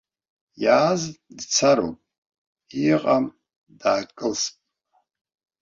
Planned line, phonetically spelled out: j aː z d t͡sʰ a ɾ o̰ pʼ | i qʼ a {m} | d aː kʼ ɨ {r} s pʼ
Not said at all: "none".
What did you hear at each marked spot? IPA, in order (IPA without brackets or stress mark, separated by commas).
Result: m, l